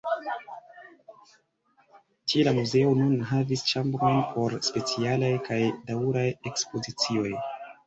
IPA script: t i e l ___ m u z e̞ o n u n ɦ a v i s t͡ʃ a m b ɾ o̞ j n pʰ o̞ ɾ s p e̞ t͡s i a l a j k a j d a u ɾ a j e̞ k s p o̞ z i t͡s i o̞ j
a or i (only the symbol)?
a